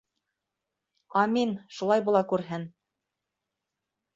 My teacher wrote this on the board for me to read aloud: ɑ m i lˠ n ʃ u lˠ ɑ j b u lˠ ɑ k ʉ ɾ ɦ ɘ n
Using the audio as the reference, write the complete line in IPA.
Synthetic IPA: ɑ m i n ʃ u lˠ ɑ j b u lˠ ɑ k ʉ ɾ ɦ ɘ n